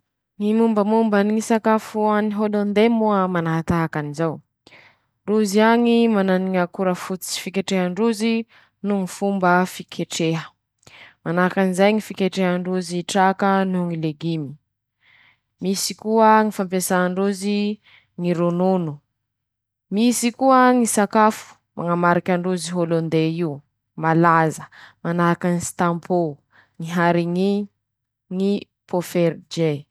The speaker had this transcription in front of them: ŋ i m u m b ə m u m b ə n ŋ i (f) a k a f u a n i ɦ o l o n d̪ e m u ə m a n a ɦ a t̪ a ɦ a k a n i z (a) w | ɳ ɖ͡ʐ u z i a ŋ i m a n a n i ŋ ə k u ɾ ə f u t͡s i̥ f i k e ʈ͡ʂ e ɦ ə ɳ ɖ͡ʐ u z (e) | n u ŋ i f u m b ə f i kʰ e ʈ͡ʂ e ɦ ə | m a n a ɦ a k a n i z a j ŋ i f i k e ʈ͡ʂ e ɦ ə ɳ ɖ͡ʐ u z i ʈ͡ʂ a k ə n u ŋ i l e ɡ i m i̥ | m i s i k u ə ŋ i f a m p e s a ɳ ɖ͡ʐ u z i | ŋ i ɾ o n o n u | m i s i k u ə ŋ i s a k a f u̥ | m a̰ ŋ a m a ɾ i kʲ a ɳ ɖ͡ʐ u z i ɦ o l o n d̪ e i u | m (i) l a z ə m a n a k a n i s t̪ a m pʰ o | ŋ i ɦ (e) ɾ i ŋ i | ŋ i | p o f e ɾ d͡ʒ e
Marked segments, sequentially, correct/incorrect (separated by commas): incorrect, correct, incorrect, incorrect, incorrect